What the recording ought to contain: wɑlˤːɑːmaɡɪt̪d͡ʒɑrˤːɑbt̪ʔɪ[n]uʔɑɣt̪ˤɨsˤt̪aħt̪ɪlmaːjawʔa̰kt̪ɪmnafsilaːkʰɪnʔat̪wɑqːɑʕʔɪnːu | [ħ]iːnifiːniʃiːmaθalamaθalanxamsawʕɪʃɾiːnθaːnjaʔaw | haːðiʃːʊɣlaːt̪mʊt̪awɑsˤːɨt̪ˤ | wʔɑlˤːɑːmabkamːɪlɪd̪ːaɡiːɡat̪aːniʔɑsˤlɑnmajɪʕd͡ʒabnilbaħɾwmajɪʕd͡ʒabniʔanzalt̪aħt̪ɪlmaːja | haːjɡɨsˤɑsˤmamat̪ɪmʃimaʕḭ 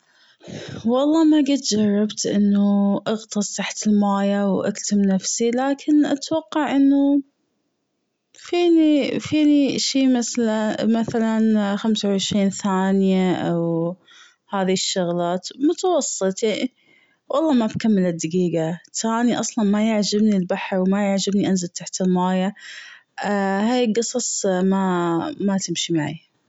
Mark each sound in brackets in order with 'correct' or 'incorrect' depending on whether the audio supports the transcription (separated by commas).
incorrect, incorrect